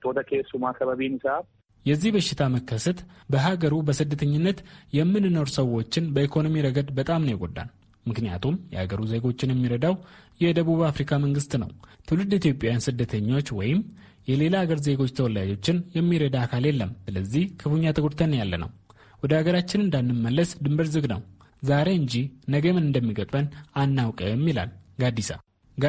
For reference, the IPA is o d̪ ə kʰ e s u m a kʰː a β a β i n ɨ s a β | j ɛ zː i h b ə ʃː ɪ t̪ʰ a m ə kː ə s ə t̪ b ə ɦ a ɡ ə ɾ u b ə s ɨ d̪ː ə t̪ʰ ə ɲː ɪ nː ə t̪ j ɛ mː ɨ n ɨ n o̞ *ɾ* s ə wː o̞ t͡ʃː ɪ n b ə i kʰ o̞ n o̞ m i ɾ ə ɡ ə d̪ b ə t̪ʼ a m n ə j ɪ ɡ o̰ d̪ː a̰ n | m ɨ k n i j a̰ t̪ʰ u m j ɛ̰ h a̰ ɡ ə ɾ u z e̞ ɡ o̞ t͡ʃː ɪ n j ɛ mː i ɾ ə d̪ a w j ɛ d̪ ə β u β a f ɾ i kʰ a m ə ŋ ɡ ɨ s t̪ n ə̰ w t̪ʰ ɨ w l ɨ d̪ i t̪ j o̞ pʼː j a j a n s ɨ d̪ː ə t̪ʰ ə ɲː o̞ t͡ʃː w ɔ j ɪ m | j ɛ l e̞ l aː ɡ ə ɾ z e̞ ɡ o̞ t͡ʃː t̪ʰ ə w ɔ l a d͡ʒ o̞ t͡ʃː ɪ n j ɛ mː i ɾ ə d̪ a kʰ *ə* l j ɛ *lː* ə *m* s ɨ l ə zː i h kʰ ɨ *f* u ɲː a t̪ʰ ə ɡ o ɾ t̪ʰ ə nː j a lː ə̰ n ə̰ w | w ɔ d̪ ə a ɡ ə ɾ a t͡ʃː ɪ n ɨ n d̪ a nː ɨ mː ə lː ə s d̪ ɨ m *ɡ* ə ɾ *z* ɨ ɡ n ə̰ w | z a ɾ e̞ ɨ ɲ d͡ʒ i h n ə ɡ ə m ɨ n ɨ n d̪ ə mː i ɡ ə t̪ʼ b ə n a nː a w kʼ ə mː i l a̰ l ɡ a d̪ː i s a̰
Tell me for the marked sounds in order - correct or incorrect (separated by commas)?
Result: correct, incorrect, correct, correct, correct, incorrect, correct